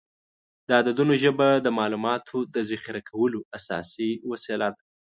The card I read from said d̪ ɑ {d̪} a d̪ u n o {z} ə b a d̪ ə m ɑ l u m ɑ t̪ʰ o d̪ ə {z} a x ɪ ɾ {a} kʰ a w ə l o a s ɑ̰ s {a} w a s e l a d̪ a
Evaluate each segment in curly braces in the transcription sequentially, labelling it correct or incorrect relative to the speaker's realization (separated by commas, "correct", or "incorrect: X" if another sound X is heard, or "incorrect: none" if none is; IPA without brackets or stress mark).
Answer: correct, incorrect: ʒ, correct, correct, incorrect: i